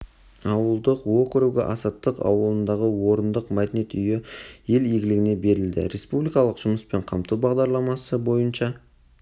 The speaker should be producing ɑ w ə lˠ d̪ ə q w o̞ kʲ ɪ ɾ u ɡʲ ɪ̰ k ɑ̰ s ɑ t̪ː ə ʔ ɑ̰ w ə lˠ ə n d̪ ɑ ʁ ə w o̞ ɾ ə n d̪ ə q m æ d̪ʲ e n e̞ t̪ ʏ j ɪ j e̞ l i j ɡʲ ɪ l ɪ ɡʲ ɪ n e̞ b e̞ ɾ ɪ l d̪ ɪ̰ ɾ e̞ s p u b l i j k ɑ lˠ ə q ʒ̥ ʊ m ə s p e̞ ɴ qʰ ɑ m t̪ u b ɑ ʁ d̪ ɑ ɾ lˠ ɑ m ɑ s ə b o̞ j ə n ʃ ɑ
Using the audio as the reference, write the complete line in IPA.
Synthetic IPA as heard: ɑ w ə lˠ d̪ ə q w o̞ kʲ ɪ ɾ u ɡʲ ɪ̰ ʔ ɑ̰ s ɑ t̪ː ə q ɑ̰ w ə lˠ ə n d̪ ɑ ʁ ə w o̞ ɾ ə n d̪ ə q m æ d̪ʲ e n e̞ t̪ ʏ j ɪ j e̞ l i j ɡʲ ɪ l ɪ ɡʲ ɪ n e̞ b e̞ ɾ ɪ l d̪ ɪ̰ ɾ e̞ s p u b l i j k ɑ lˠ ə q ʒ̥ ʊ m ə s p e̞ ɴ qʰ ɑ m t̪ u b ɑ ʁ d̪ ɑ ɾ lˠ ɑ m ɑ s ə b o̞ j ə n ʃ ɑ